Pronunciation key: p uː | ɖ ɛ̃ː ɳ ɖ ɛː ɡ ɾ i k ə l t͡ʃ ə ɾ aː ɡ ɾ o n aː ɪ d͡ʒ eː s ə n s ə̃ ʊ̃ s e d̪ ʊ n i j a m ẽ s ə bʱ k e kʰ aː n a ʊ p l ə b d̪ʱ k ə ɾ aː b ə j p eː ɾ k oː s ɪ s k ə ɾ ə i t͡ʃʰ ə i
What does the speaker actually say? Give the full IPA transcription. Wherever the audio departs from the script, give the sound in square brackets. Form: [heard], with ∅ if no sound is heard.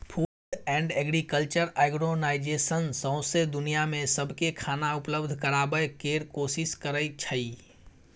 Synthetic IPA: [pʰ] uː | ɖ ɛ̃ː ɳ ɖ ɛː ɡ ɾ i k ə l t͡ʃ ə ɾ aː ɡ ɾ o n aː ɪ d͡ʒ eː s ə n s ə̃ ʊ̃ s e d̪ ʊ n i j a m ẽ s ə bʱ k e kʰ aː n a ʊ p l ə b d̪ʱ k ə ɾ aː b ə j [k] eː ɾ k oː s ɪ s k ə ɾ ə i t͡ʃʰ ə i